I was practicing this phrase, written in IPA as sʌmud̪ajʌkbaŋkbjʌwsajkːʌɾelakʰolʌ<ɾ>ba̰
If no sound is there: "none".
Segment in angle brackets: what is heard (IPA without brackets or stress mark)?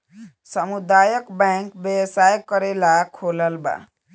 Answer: l